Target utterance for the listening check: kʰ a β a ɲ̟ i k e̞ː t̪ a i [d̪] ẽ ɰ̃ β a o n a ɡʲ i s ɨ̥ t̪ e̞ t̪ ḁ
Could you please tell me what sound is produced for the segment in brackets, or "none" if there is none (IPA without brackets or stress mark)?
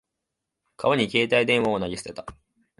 d̪